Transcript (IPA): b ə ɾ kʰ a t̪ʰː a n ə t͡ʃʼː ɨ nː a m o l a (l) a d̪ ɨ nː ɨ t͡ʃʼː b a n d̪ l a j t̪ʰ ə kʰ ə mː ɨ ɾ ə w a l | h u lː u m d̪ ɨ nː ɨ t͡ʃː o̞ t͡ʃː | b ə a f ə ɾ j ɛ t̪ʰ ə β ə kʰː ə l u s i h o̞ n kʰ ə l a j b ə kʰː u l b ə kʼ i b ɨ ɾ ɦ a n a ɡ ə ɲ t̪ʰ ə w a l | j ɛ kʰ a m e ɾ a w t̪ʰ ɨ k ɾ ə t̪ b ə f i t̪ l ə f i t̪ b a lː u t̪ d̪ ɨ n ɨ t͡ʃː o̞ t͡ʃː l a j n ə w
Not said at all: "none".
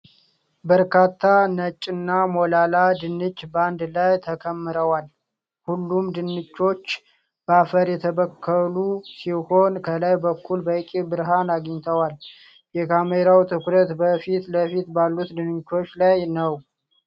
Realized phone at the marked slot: l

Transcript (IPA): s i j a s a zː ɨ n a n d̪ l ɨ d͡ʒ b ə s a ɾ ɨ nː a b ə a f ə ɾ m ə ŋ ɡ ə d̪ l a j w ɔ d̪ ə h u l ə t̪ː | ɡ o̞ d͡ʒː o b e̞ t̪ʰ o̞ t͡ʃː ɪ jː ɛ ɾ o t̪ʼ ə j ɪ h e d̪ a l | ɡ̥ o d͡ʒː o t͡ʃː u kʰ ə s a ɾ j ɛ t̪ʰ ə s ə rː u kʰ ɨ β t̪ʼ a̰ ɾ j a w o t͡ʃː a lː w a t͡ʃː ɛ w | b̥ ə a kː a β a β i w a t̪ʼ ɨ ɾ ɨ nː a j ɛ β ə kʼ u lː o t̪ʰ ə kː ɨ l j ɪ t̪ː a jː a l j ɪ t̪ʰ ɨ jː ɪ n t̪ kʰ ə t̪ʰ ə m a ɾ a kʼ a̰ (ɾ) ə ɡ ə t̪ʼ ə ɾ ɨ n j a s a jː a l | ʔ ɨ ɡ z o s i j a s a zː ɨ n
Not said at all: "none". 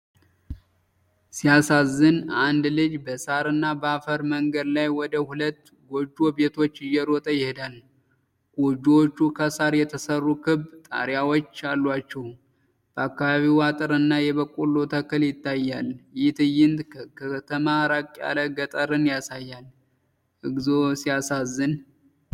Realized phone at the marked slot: l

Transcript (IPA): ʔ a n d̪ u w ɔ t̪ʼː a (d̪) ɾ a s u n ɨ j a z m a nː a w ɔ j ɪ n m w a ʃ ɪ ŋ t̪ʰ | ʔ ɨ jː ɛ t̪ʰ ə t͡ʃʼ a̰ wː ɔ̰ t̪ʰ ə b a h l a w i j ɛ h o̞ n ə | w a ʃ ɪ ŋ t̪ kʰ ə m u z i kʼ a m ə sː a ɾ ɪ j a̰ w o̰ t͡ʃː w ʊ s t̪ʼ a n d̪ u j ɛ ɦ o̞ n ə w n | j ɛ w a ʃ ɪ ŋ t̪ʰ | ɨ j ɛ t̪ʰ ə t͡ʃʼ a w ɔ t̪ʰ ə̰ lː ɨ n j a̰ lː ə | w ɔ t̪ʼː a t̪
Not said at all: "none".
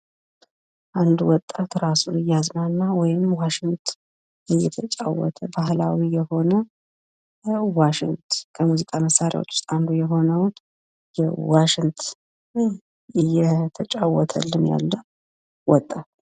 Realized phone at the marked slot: t̪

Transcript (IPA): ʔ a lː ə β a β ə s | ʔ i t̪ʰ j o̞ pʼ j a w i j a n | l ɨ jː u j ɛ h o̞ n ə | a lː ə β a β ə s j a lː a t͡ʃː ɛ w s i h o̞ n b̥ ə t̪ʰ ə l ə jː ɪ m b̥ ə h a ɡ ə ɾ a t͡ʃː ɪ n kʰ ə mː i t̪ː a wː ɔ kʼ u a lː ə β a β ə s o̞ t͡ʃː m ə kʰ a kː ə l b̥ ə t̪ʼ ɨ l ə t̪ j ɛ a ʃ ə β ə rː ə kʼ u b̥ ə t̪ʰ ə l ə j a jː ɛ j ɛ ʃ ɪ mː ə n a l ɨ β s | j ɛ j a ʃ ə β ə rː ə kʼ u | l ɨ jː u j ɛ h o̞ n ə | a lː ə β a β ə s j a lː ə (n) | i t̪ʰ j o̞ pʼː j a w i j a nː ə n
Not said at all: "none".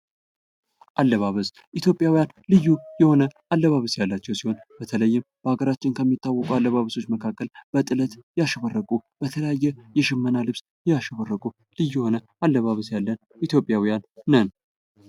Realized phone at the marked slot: n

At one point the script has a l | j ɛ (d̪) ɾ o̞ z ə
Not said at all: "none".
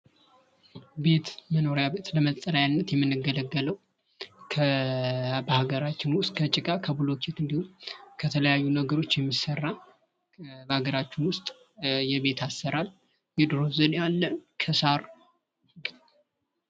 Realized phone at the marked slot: d̪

